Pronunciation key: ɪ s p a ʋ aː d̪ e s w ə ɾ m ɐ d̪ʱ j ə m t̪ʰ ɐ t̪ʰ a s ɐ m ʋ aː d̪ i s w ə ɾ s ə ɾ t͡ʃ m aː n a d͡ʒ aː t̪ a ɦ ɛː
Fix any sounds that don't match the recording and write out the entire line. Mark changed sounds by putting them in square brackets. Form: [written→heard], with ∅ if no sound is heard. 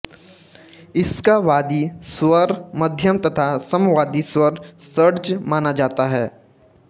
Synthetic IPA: ɪ s [p→k] a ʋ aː d̪ [e→i] s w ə ɾ m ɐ d̪ʱ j ə m [t̪ʰ→t̪] ɐ t̪ʰ a s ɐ m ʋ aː d̪ i s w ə ɾ s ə ɾ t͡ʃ m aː n a d͡ʒ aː t̪ a ɦ ɛː

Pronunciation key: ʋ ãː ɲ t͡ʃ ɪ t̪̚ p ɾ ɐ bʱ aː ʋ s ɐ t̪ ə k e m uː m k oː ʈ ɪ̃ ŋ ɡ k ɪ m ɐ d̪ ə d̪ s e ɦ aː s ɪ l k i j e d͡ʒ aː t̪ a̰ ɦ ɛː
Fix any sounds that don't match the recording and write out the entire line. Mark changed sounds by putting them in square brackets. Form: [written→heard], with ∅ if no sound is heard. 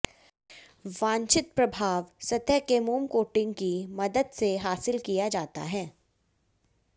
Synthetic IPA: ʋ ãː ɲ t͡ʃ ɪ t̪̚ p ɾ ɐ bʱ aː ʋ s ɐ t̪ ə k e m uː m k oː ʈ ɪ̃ ŋ ɡ k [ɪ→i] m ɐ d̪ ə d̪ s e ɦ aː s ɪ l k i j [e→a] d͡ʒ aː t̪ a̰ ɦ ɛː

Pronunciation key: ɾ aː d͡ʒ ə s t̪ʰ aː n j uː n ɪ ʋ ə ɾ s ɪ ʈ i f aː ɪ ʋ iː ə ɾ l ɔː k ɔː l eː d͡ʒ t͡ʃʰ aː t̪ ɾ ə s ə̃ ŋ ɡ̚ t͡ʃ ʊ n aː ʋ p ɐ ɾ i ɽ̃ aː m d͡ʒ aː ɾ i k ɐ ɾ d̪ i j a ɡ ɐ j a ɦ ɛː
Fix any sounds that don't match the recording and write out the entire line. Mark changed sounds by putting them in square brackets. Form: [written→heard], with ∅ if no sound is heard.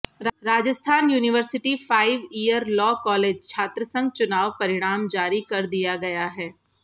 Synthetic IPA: ɾ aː d͡ʒ ə s t̪ʰ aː n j uː n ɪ ʋ ə ɾ s ɪ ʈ i f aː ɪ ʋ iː ə ɾ l ɔː k ɔː l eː d͡ʒ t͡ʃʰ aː t̪ ɾ ə s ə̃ ŋ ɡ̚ t͡ʃ ʊ n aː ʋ p ɐ ɾ [i→ɪ] ɽ̃ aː m d͡ʒ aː ɾ i k ɐ ɾ d̪ i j a ɡ ɐ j a ɦ ɛː

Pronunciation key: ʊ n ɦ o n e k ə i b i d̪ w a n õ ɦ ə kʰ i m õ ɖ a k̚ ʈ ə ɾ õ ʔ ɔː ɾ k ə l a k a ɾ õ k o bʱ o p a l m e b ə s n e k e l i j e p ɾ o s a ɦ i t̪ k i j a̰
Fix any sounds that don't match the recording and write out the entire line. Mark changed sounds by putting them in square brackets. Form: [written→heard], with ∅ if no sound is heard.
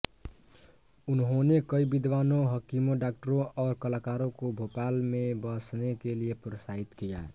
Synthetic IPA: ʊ n ɦ o n e k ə i b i d̪ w a n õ ɦ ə [kʰ→k] i m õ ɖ a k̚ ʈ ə ɾ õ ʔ ɔː ɾ k ə l a k a ɾ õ k o bʱ o p a l m e b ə s n e k e l i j e p ɾ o s a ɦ i t̪ k i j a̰

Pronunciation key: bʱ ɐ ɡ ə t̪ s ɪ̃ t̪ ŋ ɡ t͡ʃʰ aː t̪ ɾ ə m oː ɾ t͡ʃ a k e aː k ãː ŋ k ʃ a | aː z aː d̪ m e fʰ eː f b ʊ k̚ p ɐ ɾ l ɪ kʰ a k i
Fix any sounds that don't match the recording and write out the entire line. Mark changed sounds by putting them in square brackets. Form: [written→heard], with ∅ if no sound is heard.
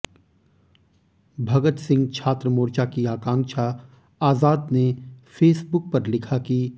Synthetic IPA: bʱ ɐ ɡ ə t̪ s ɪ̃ [t̪→∅] ŋ ɡ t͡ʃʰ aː t̪ ɾ ə m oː ɾ t͡ʃ a k [e→i] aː k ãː ŋ k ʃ a | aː z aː d̪ [m→n] e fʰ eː [f→s] b ʊ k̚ p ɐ ɾ l ɪ kʰ a k i

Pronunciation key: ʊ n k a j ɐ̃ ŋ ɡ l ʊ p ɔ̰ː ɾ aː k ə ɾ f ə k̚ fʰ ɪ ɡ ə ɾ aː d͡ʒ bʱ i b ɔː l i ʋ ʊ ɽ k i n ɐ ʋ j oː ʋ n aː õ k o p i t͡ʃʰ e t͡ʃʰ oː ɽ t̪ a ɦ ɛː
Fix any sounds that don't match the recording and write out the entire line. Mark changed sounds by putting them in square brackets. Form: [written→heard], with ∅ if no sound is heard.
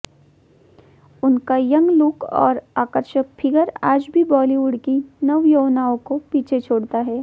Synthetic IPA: ʊ n k a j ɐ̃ ŋ ɡ l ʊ [p→k] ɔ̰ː ɾ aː k ə ɾ [f→ʃ] ə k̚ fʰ ɪ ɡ ə ɾ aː d͡ʒ bʱ i b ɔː l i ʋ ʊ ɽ k i n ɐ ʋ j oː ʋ n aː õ k o p [i→iː] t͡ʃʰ e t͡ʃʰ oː ɽ t̪ a ɦ ɛː

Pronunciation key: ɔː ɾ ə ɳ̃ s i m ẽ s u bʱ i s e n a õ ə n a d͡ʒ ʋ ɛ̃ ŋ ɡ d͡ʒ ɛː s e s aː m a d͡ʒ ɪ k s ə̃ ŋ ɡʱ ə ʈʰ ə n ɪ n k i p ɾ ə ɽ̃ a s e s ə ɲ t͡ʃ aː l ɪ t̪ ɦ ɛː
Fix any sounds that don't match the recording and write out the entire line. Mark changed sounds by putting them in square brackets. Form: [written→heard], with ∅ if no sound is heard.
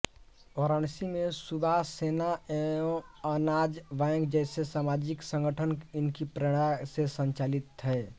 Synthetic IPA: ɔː ɾ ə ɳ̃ s i m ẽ s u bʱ [i→a] s e n a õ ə n a d͡ʒ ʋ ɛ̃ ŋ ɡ d͡ʒ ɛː s e s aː m a d͡ʒ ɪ k s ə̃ ŋ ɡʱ ə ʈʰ ə n ɪ n k i p ɾ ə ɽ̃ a s e s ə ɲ t͡ʃ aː l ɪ t̪ ɦ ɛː

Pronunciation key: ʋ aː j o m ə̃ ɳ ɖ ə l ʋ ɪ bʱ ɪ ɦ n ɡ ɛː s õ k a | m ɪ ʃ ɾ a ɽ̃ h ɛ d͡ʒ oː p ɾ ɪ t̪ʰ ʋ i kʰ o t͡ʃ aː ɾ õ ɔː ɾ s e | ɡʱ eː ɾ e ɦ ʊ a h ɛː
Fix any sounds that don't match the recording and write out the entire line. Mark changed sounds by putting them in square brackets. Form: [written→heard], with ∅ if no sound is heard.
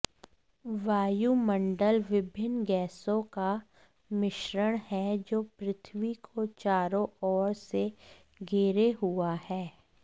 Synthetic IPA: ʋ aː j [o→u] m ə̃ ɳ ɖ ə l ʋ ɪ bʱ ɪ [ɦ→∅] n ɡ ɛː s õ k a | m ɪ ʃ ɾ [a→ə] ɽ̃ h ɛ d͡ʒ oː p ɾ ɪ t̪ʰ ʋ i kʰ o t͡ʃ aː ɾ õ ɔː ɾ s e | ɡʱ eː ɾ e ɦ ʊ a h ɛː

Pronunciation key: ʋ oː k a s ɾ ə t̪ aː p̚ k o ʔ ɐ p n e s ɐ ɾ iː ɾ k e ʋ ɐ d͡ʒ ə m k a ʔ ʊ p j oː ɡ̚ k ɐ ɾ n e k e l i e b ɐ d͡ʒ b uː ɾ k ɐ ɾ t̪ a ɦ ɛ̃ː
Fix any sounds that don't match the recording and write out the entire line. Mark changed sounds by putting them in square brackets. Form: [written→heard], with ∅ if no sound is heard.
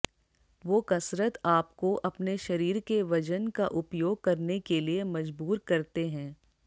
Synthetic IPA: ʋ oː k [a→ɐ] s ɾ ə t̪ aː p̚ k o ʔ ɐ p n e [s→ʃ] ɐ ɾ iː ɾ k e ʋ ɐ d͡ʒ ə [m→n] k a ʔ ʊ p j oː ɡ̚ k ɐ ɾ n e k e l i e [b→m] ɐ d͡ʒ b uː ɾ k ɐ ɾ t̪ [a→e] ɦ ɛ̃ː

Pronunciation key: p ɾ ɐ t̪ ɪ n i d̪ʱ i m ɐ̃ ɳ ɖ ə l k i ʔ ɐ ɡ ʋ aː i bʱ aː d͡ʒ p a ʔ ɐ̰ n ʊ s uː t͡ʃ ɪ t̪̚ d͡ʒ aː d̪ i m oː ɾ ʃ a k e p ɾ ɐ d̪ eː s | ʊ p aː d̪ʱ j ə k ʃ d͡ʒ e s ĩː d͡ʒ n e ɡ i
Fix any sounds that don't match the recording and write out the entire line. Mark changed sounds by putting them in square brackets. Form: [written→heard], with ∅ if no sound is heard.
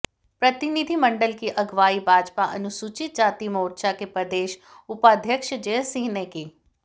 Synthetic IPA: p ɾ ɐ t̪ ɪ n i d̪ʱ i m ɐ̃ ɳ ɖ ə l k i ʔ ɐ ɡ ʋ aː i bʱ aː d͡ʒ p a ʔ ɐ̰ n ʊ s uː t͡ʃ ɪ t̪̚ d͡ʒ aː [d̪→t̪] i m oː ɾ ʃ a k e p ɾ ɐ d̪ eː [s→ʃ] | ʊ p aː d̪ʱ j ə k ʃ d͡ʒ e s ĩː [d͡ʒ→∅] n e [ɡ→k] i

